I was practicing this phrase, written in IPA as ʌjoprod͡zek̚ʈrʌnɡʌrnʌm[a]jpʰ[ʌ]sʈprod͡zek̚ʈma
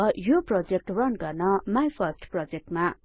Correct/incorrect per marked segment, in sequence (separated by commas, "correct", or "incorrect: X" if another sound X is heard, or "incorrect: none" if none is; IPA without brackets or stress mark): correct, correct